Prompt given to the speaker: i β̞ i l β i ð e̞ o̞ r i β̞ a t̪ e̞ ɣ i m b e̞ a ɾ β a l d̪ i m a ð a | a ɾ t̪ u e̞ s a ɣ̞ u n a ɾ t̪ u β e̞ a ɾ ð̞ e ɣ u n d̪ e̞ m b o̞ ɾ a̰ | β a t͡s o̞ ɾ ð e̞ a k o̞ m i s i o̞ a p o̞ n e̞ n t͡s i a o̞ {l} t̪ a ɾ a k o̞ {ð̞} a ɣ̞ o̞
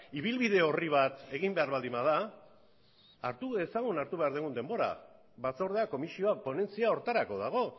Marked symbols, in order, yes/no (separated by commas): no, yes